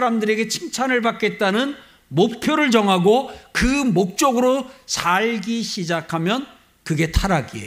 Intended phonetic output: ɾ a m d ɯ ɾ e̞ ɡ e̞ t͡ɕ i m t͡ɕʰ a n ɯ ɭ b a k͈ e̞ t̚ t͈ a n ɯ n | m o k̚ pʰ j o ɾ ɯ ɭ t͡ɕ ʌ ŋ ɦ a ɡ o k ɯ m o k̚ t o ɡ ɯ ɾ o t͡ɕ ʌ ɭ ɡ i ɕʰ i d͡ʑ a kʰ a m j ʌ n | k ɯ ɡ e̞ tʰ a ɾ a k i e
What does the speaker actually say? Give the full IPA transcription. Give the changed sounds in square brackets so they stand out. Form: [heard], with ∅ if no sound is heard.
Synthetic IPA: ɾ a m d ɯ ɾ e̞ ɡ e̞ [t͡ɕʰ] i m t͡ɕʰ a n ɯ ɭ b a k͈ e̞ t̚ t͈ a n ɯ n | m o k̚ pʰ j o ɾ ɯ ɭ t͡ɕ ʌ ŋ ɦ a ɡ o k ɯ m o k̚ [t͡ɕ͈] o ɡ ɯ ɾ o t͡ɕ [a] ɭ ɡ i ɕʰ i d͡ʑ a kʰ a m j ʌ n | k ɯ ɡ e̞ tʰ a ɾ a [ɡ] i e